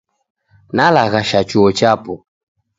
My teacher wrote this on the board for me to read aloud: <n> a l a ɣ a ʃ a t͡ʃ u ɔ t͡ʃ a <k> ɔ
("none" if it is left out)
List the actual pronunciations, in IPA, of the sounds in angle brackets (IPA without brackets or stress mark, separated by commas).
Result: n, p